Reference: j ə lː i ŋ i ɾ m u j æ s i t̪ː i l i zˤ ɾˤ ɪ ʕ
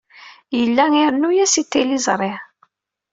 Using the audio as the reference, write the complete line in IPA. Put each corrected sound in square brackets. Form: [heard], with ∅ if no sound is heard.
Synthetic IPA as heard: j ə lː [æ] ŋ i ɾ [n] u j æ s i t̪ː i l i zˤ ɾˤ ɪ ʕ